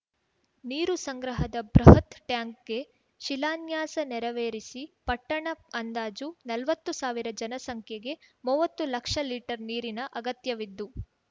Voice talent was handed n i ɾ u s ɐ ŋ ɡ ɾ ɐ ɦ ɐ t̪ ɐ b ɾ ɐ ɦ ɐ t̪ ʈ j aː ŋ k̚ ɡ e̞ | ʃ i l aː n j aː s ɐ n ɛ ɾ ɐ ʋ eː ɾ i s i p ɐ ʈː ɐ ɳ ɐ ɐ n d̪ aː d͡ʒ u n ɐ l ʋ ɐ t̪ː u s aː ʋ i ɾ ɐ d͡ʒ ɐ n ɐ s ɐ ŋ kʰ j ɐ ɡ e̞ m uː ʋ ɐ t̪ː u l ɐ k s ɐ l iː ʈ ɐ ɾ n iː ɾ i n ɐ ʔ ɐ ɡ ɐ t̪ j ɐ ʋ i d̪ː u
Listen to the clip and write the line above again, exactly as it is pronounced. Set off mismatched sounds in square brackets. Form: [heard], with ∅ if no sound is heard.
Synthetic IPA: n [iː] ɾ u s ɐ ŋ ɡ ɾ ɐ ɦ ɐ [d̪] ɐ b ɾ ɐ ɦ ɐ t̪ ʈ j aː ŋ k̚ ɡ e̞ | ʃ i l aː n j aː s ɐ n ɛ ɾ ɐ ʋ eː ɾ i s i p ɐ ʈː ɐ ɳ ɐ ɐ n d̪ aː d͡ʒ u n ɐ l ʋ ɐ t̪ː u s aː ʋ i ɾ ɐ d͡ʒ ɐ n ɐ s ɐ ŋ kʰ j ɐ ɡ e̞ m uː ʋ ɐ t̪ː u l ɐ k [ʂ] ɐ l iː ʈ ɐ ɾ n iː ɾ i n ɐ ʔ ɐ ɡ ɐ t̪ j ɐ ʋ i d̪ː u